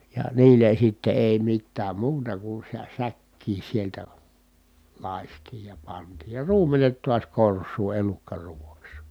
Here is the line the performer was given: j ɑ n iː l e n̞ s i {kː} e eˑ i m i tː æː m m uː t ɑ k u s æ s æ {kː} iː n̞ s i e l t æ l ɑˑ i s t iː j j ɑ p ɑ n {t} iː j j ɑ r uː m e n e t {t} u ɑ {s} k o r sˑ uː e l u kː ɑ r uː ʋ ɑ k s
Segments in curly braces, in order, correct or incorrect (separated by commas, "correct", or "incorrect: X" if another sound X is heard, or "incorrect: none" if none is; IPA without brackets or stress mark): incorrect: tː, correct, correct, correct, correct